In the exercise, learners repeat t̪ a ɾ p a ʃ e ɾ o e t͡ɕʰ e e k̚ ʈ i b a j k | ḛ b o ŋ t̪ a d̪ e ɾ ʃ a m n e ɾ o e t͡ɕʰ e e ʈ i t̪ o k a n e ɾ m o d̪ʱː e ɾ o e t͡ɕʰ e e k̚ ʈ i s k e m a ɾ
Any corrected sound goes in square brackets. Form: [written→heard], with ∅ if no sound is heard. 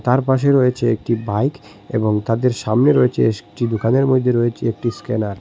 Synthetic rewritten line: t̪ a ɾ p a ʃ e ɾ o e t͡ɕʰ e e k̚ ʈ i b a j k | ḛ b o ŋ t̪ a d̪ e ɾ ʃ a m n e ɾ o e t͡ɕʰ e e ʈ i [t̪→d̪] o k a n e ɾ m o d̪ʱː e ɾ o e t͡ɕʰ e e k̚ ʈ i s k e [m→n] a ɾ